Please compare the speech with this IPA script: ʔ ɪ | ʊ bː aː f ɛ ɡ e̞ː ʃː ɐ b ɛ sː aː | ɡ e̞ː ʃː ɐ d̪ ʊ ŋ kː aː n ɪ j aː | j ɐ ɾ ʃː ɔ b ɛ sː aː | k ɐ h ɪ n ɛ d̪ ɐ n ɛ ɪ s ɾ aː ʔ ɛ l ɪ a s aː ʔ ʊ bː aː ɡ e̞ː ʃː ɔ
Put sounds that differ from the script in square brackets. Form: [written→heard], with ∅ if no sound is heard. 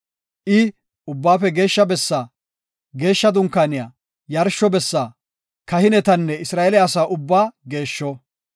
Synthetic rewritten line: ʔ ɪ | ʊ bː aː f ɛ ɡ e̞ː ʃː ɐ b ɛ sː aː | ɡ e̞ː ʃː ɐ d̪ ʊ ŋ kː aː n ɪ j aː | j ɐ ɾ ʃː ɔ b ɛ sː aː | k ɐ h ɪ n ɛ [d̪→t̪] ɐ [n→nː] ɛ ɪ s ɾ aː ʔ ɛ l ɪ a s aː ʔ ʊ bː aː ɡ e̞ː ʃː ɔ